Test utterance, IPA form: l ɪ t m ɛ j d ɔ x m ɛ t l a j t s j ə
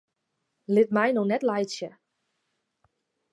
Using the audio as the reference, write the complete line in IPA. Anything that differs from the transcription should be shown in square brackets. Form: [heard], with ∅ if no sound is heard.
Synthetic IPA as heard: l ɪ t m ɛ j [n] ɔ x [n] ɛ t l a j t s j ə